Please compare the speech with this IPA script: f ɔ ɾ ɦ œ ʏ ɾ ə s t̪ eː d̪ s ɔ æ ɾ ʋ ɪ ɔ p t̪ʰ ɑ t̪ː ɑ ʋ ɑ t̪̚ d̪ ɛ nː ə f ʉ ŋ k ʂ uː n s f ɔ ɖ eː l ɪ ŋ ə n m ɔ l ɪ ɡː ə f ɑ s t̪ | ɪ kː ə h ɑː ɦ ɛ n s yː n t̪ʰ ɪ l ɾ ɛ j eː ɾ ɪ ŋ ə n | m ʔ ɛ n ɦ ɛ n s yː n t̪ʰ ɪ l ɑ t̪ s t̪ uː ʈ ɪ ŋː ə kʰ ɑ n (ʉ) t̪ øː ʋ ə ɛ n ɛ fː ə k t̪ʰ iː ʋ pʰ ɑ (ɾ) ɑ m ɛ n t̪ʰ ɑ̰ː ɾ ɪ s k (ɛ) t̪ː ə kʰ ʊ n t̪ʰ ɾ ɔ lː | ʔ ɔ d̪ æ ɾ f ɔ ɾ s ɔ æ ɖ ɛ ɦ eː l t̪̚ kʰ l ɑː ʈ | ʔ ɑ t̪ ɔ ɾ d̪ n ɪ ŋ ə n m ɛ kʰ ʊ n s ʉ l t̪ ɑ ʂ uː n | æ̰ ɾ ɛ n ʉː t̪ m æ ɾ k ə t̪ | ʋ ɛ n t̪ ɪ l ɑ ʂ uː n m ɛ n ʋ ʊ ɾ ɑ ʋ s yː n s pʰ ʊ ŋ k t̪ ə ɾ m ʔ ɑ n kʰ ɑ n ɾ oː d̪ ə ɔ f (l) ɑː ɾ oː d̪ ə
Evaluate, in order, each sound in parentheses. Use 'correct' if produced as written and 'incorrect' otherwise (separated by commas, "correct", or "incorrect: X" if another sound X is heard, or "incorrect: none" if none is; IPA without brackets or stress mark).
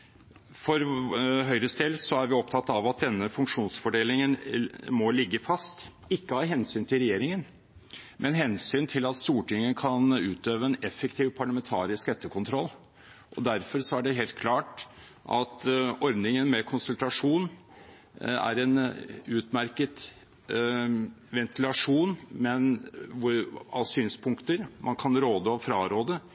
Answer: incorrect: ʉː, incorrect: ɭ, correct, incorrect: ɾ